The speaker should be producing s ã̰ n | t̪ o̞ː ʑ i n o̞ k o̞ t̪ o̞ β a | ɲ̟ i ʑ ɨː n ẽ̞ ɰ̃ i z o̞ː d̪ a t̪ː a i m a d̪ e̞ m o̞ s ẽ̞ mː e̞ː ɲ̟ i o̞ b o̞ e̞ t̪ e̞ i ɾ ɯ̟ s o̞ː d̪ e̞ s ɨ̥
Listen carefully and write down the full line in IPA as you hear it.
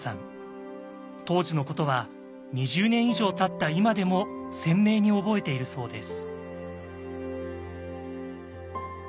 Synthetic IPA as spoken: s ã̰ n | t̪ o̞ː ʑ i n o̞ k o̞ t̪ o̞ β a | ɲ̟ i ʑ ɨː n ẽ̞ ɰ̃ i ʑ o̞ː t̪ a t̪ː a i m a d̪ e̞ m o̞ s ẽ̞ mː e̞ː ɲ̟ i o̞ b o̞ e̞ t̪ e̞ i ɾ ɯ̟ s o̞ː d̪ e̞ s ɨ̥

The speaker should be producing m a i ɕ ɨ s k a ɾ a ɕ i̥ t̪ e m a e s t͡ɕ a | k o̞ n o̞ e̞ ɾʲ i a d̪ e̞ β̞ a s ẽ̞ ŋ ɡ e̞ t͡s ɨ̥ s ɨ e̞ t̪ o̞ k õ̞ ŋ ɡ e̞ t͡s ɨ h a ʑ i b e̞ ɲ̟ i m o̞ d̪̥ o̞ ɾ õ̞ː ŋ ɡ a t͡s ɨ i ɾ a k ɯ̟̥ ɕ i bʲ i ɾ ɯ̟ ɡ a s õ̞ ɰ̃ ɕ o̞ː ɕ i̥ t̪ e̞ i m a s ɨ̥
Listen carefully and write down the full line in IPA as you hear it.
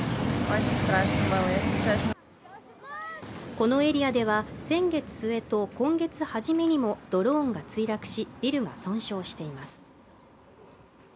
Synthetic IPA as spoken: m a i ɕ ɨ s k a ɾ a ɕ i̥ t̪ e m a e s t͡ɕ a | k o̞ n o̞ e̞ ɾʲ i a d̪ e̞ β̞ a s ẽ̞ ŋ ɡ e̞ t͡s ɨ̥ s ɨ e̞ t̪ o̞ k õ̞ ŋ ɡ e̞ t͡s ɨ h a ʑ i m e̞ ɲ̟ i m o̞ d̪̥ o̞ ɾ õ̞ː ŋ ɡ a t͡s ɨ i ɾ a k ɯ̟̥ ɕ i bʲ i ɾ ɯ̟ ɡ a s õ̞ ɰ̃ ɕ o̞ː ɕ i̥ t̪ e̞ i m a s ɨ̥

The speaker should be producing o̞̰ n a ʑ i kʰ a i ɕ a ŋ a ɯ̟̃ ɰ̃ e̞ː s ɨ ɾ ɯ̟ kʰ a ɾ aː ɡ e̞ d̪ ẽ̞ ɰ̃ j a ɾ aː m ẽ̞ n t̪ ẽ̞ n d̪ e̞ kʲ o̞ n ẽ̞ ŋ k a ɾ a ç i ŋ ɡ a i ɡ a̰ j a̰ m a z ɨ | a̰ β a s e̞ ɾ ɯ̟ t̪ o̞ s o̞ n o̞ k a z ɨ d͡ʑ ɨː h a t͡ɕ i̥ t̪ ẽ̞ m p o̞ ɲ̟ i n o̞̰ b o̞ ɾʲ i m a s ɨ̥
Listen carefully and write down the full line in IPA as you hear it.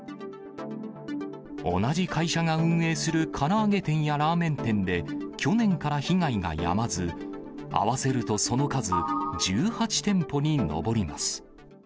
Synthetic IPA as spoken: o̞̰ n a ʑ i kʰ a i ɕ a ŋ a ɯ̟̃ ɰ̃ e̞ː s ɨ ɾ ɯ̟ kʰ a ɾ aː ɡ e̞ t̪ ẽ̞ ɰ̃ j a ɾ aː m ẽ̞ n t̪ ẽ̞ n d̪ e̞ kʲ o̞ n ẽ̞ ŋ k a ɾ a ç i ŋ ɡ a i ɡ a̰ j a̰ m a z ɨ | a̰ β a s e̞ ɾ ɯ̟ t̪ o̞ s o̞ n o̞ k a z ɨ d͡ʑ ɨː h a t͡ɕ i̥ t̪ ẽ̞ m p o̞ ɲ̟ i n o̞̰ b o̞ ɾʲ i m a s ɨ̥

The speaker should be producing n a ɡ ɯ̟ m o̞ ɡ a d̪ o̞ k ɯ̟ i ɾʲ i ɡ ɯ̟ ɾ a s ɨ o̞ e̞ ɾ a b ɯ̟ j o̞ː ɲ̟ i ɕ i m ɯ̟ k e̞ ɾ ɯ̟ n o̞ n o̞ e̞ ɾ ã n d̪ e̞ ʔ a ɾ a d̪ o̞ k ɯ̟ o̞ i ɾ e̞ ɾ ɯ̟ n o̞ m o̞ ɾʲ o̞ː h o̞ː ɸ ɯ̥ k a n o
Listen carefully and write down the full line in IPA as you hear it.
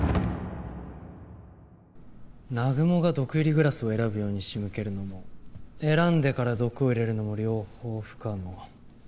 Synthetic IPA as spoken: n a ɡ ɯ̟ m o̞ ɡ a d̪ o̞ k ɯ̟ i ɾʲ i ɡ ɯ̟ ɾ a s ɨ o̞ e̞ ɾ a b ɯ̟ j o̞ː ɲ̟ i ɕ i m ɯ̟ k e̞ ɾ ɯ̟ n o̞ m o̞ e̞ ɾ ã n d̪ e̞ k a ɾ a d̪ o̞ k ɯ̟ o̞ i ɾ e̞ ɾ ɯ̟ n o̞ m o̞ ɾʲ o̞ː h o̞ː ɸ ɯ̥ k a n o

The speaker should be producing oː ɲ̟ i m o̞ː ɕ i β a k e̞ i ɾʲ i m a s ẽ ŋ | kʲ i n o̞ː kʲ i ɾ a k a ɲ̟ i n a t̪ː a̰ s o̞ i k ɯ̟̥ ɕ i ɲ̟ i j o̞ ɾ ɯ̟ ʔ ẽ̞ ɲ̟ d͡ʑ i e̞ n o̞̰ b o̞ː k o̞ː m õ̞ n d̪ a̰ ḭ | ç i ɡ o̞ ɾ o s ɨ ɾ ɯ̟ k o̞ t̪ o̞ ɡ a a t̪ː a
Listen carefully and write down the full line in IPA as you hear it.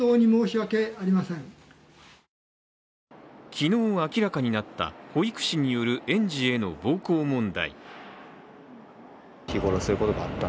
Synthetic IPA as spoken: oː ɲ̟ i m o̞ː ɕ i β a k e̞ a ɾʲ i m a s ẽ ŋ | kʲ i n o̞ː kʲ i ɾ a k a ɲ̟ i n a t̪ː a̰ h o̞ i k ɯ̟̥ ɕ i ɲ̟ i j o̞ ɾ ɯ̟ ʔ ẽ̞ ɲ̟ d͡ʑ i e̞ n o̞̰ b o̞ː k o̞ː m õ̞ n d̪ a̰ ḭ | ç i ɡ o̞ ɾ o s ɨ ɾ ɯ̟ k o̞ t̪ o̞ ɡ a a t̪ː a

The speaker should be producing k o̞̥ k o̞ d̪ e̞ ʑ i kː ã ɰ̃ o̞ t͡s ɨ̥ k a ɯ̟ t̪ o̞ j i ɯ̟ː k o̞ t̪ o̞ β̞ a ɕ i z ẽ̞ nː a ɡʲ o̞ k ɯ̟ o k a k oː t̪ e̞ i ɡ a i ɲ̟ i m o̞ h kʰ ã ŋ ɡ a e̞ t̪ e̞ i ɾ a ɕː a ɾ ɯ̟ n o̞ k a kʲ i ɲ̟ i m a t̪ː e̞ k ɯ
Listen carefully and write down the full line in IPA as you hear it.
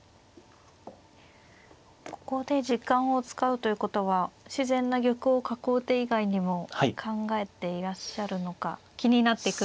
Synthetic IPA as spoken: k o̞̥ k o̞ d̪ e̞ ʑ i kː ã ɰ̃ o̞ t͡s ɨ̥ k a ɯ̟ t̪ o̞ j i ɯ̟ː k o̞ t̪ o̞ β̞ a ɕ i z ẽ̞ nː a ɡʲ o̞ k ɯ̟ o k a k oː t̪ e̞ i ɡ a i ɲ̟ i m o̞ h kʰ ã ŋ ɡ a e̞ t̪ e̞ i ɾ a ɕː a ɾ ɯ̟ n o̞ k a kʲ i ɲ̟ i n a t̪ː e̞ k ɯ

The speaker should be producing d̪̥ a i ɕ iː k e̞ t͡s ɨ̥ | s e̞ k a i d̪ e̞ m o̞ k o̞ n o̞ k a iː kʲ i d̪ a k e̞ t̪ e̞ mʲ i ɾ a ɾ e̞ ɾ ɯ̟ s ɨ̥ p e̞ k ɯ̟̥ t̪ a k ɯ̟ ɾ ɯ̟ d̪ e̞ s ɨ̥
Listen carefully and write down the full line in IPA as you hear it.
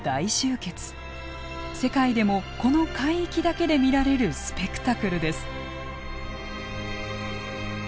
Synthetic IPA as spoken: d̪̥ a i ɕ ɨː k e̞ t͡s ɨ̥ | s e̞ k a i d̪ e̞ m o̞ k o̞ n o̞ k a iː kʲ i d̪ a k e̞ d̪ e̞ mʲ i ɾ a ɾ e̞ ɾ ɯ̟ s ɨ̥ p e̞ k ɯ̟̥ t̪ a k ɯ̟ ɾ ɯ̟ d̪ e̞ s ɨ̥

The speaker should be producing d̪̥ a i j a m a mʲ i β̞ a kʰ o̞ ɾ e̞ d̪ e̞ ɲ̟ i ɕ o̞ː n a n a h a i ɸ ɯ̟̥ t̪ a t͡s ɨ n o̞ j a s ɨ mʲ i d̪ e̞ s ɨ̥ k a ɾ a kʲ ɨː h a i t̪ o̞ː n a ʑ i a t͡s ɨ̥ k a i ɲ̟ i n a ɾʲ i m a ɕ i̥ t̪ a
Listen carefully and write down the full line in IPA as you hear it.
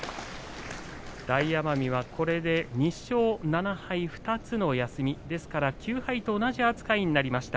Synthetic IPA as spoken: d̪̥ a i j a m a mʲ i β̞ a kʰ o̞ ɾ e̞ d̪ e̞ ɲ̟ i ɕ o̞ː n a n a h a i ɸ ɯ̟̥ t̪ a t͡s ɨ n o̞ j a s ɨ mʲ i d̪ e̞ s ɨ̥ k a ɾ a kʲ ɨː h a i t̪ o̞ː n a ʑ i a t͡s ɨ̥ k a i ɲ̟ i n a ɾʲ i m a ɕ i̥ t̪ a

